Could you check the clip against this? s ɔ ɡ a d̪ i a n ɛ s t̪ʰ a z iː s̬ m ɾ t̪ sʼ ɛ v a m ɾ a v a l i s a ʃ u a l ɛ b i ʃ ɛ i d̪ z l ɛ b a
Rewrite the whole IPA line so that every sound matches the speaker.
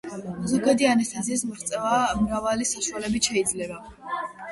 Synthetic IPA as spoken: z ɔ ɡ a d̪ i a n ɛ s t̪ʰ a z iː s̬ m ɾ t̪ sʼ ɛ v a m ɾ a v a l i s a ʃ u a l ɛ b i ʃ ɛ i d̪ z l ɛ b a